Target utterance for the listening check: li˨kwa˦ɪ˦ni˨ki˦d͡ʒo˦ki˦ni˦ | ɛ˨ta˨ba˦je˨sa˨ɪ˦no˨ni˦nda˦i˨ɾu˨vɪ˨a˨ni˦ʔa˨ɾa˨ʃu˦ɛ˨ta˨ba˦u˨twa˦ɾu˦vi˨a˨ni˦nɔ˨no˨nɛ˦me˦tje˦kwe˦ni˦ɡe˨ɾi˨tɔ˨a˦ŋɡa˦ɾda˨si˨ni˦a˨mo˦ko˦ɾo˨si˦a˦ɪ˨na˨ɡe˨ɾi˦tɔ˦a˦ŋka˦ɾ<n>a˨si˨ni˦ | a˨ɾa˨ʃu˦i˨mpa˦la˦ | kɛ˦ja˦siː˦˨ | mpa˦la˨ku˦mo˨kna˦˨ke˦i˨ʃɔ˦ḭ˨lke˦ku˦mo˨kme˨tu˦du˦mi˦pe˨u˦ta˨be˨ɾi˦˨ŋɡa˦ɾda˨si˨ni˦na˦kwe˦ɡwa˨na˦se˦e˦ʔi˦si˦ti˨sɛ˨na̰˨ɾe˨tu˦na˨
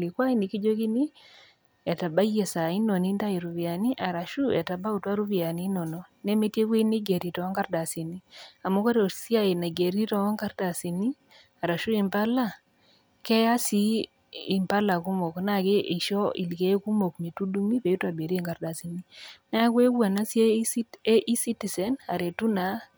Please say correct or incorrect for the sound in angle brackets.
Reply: incorrect